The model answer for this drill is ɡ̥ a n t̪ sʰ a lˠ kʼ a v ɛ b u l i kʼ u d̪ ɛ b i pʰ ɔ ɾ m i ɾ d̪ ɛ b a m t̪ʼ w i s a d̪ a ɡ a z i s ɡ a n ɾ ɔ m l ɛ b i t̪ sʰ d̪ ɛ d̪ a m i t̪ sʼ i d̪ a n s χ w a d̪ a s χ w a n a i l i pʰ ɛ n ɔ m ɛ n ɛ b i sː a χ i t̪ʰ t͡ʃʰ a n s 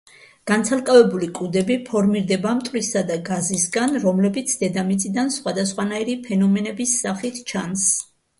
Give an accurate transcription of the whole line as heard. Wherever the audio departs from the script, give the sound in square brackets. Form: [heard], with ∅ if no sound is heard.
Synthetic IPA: ɡ̥ a n t̪ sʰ a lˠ kʼ a v ɛ b u l i kʼ u d̪ ɛ b i pʰ ɔ ɾ m i ɾ d̪ ɛ b a m t̪ʼ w i s a d̪ a ɡ a z i s ɡ a n ɾ ɔ m l ɛ b i t̪ sʰ d̪ ɛ d̪ a m i t̪ sʼ i d̪ a n s χ w a d̪ a s χ w a n a i [ɾ] i pʰ ɛ n ɔ m ɛ n ɛ b i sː a χ i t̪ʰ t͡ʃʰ a n s